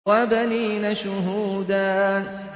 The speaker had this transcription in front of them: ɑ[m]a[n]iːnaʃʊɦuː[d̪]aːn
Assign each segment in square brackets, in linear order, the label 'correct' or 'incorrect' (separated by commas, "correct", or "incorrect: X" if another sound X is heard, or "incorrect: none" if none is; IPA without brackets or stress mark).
incorrect: b, correct, correct